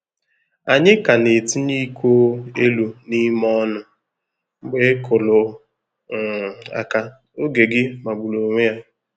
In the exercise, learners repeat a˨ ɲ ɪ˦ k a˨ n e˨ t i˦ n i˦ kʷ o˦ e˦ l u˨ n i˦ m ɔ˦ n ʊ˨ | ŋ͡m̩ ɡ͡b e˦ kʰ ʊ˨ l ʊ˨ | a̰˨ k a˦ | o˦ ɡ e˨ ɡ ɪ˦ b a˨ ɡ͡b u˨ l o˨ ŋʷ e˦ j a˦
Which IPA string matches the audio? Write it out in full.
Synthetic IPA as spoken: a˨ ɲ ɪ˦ k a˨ n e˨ t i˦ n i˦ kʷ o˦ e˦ l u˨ n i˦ m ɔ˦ n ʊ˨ | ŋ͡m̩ ɡ͡b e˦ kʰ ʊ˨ l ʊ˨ | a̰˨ k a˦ | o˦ ɡ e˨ ɡ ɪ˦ m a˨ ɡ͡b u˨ l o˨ ŋʷ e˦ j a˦